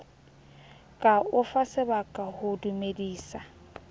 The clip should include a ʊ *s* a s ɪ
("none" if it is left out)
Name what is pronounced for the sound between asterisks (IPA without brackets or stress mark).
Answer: f